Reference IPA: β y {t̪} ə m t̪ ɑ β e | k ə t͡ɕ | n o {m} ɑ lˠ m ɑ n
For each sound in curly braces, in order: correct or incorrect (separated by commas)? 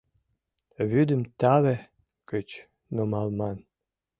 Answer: incorrect, correct